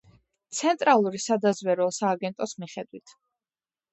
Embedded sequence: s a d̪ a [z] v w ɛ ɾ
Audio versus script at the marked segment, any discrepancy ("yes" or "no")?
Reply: no